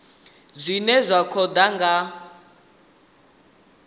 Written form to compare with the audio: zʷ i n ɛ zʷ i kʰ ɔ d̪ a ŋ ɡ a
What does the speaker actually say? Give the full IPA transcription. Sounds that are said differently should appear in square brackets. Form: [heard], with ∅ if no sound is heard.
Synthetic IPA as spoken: zʷ i n ɛ zʷ [a] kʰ ɔ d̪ a ŋ ɡ a